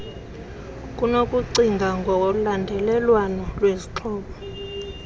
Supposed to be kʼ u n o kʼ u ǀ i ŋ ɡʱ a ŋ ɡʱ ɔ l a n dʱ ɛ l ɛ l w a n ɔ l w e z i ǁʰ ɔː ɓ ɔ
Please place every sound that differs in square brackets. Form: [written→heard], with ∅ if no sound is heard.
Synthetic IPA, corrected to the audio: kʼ u n o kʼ u ǀ i ŋ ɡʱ a ŋ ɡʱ ɔ l a n dʱ ɛ l ɛ l w a n ɔ l w e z i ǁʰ ɔː ɓ ɔ